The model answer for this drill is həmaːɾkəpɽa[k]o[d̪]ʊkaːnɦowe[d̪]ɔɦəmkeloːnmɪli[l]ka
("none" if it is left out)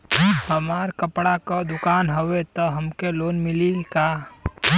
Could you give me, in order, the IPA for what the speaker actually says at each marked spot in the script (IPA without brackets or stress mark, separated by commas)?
k, d̪, t̪, l